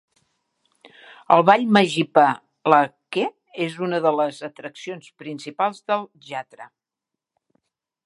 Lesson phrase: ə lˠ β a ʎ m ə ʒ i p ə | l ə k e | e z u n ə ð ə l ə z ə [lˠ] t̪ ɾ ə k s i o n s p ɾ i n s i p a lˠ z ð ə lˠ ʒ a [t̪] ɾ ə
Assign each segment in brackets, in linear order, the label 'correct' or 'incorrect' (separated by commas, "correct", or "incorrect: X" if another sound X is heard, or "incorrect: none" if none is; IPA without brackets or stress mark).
incorrect: none, correct